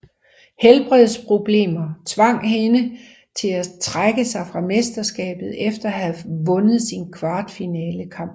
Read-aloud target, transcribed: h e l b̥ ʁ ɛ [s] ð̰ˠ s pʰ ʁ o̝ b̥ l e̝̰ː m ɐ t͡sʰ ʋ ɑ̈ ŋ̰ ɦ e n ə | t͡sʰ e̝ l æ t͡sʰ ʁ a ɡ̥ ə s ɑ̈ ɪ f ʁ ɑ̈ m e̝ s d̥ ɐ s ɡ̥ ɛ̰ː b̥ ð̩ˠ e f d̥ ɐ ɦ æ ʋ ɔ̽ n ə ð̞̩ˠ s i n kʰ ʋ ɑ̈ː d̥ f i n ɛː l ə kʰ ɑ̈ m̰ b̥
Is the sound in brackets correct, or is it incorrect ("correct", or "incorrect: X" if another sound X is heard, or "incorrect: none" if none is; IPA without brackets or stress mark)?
incorrect: none